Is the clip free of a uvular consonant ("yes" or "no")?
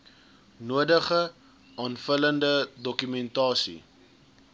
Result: no